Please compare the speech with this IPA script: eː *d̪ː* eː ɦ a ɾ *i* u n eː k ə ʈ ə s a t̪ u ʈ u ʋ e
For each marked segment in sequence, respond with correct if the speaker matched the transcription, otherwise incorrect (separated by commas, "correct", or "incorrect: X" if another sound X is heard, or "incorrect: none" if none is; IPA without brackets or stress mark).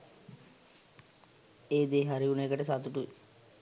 incorrect: d̪, correct